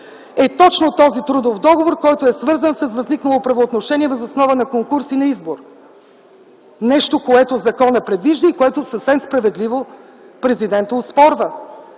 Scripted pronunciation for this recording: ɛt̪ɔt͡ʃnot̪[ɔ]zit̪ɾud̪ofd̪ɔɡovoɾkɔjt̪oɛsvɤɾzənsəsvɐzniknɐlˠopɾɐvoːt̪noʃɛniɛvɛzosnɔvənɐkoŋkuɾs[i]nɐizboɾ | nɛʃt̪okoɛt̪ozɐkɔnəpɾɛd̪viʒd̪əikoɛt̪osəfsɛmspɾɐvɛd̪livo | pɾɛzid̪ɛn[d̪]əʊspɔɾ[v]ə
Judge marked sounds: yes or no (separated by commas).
yes, yes, no, yes